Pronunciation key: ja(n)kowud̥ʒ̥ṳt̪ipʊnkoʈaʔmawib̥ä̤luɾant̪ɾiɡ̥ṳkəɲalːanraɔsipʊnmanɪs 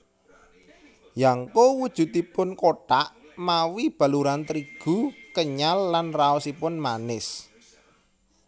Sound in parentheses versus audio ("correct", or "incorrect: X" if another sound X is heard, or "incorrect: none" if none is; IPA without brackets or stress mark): incorrect: ŋ